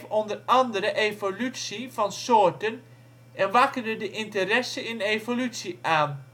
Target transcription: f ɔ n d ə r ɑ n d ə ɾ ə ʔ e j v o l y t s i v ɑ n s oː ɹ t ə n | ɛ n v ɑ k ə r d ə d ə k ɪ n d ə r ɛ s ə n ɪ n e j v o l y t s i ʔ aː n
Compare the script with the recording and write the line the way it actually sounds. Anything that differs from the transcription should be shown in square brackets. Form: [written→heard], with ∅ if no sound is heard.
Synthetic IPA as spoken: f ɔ n d ə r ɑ n d ə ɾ ə ʔ e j v o l y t s i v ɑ n s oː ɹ t ə n | ɛ n [v→ʋ] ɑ k ə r d ə d ə [k→ʔ] ɪ n [d→t] ə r ɛ s ə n ɪ n e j v o l y t s i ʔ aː n